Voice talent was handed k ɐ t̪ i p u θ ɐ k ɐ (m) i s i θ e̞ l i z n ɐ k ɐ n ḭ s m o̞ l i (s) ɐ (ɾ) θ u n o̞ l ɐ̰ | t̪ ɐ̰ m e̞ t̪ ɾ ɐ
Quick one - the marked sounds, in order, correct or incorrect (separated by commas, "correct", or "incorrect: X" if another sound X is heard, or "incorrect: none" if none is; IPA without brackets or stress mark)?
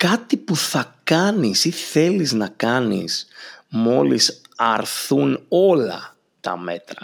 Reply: incorrect: n, correct, correct